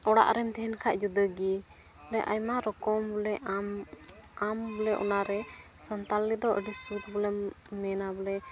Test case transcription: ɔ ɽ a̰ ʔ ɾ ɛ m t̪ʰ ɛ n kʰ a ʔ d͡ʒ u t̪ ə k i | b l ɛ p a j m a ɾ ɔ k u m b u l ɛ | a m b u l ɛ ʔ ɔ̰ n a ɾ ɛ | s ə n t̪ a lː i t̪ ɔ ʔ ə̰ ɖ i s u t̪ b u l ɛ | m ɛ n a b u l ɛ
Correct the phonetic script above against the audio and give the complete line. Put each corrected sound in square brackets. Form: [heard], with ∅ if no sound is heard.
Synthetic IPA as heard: ɔ ɽ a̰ ʔ ɾ ɛ m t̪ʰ ɛ n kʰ a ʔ d͡ʒ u [d̪] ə [ɡ] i | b l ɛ [ʔ] a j m a ɾ ɔ k [ɔ] m b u l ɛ | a m b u l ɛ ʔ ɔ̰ n a ɾ ɛ | s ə n t̪ a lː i [d̪] ɔ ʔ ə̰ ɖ i s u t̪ b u l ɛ | m ɛ n a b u l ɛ

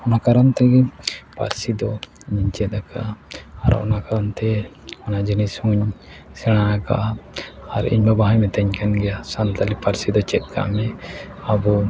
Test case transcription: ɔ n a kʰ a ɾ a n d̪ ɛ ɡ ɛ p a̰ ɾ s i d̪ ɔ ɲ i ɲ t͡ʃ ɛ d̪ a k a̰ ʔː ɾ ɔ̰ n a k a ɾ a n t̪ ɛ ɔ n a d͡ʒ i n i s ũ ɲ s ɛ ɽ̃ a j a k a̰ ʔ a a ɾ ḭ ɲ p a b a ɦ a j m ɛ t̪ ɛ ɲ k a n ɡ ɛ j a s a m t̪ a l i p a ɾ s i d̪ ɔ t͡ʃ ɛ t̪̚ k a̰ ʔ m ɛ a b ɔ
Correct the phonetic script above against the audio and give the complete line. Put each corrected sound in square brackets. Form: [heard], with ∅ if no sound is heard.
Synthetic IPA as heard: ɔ n a [k] a ɾ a n [t̪] ɛ ɡ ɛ p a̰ ɾ s i d̪ ɔ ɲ i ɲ t͡ʃ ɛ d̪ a k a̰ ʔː ɾ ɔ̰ n a k a ɾ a n t̪ ɛ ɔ n a d͡ʒ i n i s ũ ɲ s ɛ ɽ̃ a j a k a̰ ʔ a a ɾ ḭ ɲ [b] a b a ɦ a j m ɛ t̪ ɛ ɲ k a n ɡ ɛ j a s a [n] t̪ a l i p a ɾ s i d̪ ɔ t͡ʃ ɛ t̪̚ k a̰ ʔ m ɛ a b ɔ

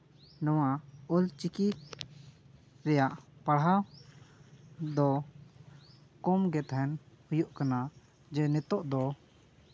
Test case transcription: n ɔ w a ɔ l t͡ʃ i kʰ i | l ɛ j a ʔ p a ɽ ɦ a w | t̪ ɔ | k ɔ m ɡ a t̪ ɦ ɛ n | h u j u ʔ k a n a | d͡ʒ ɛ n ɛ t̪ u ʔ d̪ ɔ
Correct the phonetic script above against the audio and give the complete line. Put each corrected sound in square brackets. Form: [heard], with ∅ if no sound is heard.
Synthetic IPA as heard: n ɔ w a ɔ l t͡ʃ i [k] i | [ɾ] ɛ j a ʔ p a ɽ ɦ a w | [d̪] ɔ | k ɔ m ɡ [ɛ] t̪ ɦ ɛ n | h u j u ʔ k a n a | d͡ʒ ɛ n ɛ t̪ [ɔ] ʔ d̪ ɔ

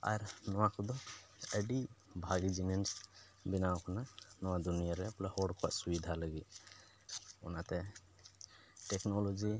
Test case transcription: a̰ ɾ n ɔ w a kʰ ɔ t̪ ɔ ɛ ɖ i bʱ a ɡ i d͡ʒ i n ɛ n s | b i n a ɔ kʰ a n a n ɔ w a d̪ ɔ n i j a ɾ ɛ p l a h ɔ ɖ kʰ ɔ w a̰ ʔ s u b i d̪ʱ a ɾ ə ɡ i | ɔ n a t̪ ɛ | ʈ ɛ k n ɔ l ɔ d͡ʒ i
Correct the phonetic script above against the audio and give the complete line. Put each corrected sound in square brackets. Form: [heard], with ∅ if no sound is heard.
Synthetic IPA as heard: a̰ ɾ n ɔ w a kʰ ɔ [d̪] ɔ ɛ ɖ i bʱ a ɡ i d͡ʒ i n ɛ n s | b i n a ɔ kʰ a n a n ɔ w a d̪ [u] n i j a ɾ ɛ p l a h ɔ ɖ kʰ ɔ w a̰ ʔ s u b i d̪ʱ a [l] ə ɡ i | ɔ n a t̪ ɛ | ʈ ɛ k n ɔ l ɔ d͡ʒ i

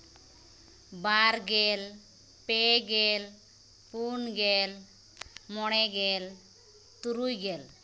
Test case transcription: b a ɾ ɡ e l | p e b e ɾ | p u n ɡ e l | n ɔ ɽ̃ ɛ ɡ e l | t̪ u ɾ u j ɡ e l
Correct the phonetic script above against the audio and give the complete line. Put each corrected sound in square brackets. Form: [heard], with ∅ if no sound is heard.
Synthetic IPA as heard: b a ɾ ɡ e l | p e [ɡ] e [l] | p u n ɡ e l | [m] ɔ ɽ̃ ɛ ɡ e l | t̪ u ɾ u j ɡ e l

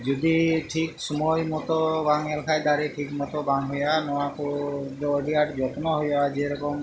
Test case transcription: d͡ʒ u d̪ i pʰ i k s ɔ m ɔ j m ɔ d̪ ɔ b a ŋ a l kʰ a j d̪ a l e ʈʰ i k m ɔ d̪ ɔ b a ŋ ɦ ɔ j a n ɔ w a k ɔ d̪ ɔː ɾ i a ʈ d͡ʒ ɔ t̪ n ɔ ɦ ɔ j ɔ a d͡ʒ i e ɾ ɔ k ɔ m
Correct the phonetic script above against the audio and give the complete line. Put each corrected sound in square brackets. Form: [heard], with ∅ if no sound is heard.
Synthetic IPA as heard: d͡ʒ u d̪ i [ʈʰ] i k s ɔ m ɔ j m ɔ [t̪] ɔ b a ŋ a l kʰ a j d̪ a [ɾ] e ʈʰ i k m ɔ [t̪] ɔ b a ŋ ɦ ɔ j a n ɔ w a k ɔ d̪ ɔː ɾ i a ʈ d͡ʒ ɔ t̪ n ɔ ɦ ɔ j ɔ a d͡ʒ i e ɾ ɔ k ɔ m

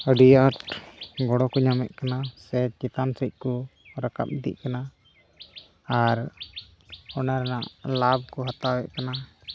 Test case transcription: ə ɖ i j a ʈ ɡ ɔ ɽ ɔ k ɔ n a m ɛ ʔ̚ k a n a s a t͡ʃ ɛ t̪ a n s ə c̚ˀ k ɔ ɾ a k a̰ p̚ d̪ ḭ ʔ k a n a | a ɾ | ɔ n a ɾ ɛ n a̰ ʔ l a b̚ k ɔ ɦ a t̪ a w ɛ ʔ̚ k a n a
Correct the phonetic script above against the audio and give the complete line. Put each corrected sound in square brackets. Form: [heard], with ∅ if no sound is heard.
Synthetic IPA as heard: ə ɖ i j a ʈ ɡ ɔ ɽ ɔ k ɔ [ɲ] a m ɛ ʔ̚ k a n a s [ɛ] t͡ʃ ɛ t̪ a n s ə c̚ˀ k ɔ ɾ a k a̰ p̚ d̪ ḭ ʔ k a n a | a ɾ | ɔ n a ɾ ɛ n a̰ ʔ l a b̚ k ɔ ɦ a t̪ a w ɛ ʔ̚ k a n a

